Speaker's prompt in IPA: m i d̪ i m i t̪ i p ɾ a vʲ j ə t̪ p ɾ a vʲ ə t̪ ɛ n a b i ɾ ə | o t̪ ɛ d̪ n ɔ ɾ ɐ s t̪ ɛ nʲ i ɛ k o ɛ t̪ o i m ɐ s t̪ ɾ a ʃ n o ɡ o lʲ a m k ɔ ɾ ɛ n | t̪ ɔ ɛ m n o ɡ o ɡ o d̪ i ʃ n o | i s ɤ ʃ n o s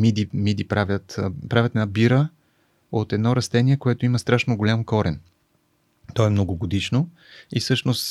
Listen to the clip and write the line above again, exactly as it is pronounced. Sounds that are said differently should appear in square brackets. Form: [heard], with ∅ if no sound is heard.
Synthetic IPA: m i d̪ i m i [d̪] i p ɾ a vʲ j ə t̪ p ɾ a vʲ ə t̪ ɛ n a b i ɾ ə | o t̪ ɛ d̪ n ɔ ɾ ɐ s t̪ ɛ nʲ i ɛ k o ɛ t̪ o i m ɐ s t̪ ɾ a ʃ n o ɡ o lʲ a m k ɔ ɾ ɛ n | t̪ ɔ ɛ m n o ɡ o ɡ o d̪ i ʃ n o | i s ɤ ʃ n o s